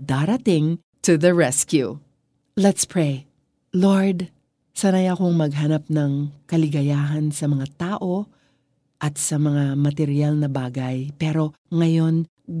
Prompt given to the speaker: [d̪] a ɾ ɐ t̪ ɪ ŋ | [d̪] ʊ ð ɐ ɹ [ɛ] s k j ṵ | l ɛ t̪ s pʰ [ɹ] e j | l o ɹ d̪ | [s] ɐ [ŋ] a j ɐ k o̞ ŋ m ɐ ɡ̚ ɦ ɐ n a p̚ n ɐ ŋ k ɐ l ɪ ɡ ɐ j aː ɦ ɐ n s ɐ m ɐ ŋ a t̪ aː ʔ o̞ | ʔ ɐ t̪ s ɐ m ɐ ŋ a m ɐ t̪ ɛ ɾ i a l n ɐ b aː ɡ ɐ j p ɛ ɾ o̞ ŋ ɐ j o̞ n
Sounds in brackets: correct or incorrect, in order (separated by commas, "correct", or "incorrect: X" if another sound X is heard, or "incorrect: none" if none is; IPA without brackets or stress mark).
correct, incorrect: t̪, correct, correct, correct, incorrect: n